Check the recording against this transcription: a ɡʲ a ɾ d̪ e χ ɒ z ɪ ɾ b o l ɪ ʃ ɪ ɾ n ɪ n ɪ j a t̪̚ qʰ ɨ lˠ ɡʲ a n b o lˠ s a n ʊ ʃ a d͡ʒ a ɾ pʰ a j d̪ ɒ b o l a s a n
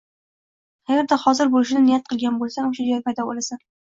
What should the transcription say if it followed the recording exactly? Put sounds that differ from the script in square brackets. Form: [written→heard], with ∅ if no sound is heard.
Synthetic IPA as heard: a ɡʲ a ɾ d̪ [e→a] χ ɒ z ɪ ɾ b o l ɪ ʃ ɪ [ɾ→∅] n ɪ n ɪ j a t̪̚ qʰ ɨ lˠ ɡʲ a n b o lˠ s a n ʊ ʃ a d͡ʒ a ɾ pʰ a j d̪ ɒ b o l a s a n